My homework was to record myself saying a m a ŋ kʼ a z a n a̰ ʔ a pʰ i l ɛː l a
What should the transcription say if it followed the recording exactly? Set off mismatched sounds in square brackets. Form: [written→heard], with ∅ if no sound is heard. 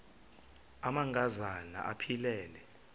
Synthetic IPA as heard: a m a ŋ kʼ a z a n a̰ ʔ a pʰ i l ɛː l [a→ɛ]